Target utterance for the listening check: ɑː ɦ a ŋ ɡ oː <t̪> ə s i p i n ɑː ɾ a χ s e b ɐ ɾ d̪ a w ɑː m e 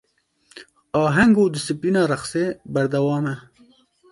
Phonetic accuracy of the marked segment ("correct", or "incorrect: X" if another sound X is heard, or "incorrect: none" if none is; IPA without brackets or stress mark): incorrect: d̪